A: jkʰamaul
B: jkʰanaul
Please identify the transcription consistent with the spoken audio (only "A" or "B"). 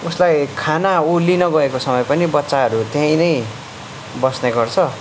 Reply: B